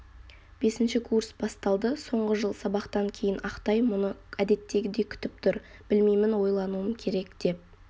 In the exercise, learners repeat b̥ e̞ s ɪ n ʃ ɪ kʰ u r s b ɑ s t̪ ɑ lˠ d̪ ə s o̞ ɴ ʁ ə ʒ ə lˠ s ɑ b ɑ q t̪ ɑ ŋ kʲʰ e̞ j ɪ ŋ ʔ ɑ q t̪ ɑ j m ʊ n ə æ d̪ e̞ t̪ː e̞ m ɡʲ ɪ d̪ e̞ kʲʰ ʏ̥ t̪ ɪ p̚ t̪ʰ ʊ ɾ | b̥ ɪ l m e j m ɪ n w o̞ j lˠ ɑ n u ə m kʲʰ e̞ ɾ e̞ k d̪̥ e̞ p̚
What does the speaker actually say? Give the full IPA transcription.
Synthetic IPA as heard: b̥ e̞ s ɪ n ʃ ɪ kʰ u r s b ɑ s t̪ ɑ lˠ d̪ ə s o̞ ɴ ʁ ə ʒ ə lˠ s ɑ b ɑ q t̪ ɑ ŋ kʲʰ e̞ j ɪ n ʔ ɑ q t̪ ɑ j m ʊ n ə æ d̪ e̞ t̪ː e̞ ɡʲ ɪ d̪ e̞ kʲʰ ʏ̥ t̪ ɪ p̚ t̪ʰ ʊ ɾ | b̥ ɪ l m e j m ɪ n w o̞ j lˠ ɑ n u ə m kʲʰ e̞ ɾ e̞ k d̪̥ e̞ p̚